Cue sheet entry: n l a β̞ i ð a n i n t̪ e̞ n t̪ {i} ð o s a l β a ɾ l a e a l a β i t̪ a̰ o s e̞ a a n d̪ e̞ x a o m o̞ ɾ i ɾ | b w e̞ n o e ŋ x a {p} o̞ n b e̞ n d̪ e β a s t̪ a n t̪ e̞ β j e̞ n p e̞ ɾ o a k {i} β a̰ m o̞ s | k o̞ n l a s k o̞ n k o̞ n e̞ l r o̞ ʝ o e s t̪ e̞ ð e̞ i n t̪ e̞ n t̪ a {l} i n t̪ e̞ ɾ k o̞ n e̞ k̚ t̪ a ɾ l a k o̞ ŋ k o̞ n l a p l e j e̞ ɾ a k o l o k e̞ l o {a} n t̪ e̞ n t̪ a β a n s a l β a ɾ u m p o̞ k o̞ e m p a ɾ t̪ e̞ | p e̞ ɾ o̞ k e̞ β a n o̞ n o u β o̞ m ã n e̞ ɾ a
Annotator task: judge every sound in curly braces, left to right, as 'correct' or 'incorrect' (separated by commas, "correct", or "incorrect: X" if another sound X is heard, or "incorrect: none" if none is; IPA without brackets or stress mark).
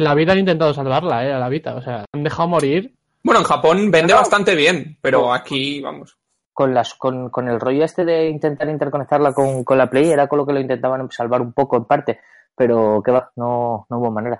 incorrect: a, correct, correct, incorrect: ɾ, incorrect: i